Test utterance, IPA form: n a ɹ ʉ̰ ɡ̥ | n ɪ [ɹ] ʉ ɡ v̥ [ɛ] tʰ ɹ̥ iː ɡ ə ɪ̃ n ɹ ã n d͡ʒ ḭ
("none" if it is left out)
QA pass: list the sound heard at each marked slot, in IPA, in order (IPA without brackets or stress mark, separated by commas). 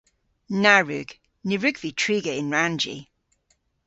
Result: ɹ, i